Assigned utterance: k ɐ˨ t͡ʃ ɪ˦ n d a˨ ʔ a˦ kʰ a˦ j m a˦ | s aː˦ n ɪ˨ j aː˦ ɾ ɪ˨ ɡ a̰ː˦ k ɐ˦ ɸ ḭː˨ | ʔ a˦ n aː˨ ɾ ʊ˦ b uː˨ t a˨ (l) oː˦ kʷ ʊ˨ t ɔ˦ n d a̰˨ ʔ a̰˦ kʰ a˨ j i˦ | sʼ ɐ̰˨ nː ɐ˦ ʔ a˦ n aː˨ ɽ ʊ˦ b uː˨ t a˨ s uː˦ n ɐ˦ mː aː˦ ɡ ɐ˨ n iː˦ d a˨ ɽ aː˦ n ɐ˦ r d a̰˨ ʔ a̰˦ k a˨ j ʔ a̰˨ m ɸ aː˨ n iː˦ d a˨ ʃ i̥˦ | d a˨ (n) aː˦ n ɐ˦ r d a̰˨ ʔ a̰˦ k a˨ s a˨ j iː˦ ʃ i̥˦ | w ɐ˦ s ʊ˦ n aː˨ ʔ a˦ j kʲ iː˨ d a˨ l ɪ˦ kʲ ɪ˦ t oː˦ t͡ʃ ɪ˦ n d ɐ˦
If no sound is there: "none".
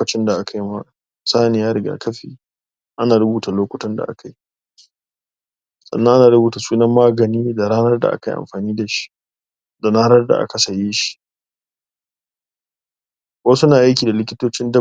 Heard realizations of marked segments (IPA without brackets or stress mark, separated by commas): l, n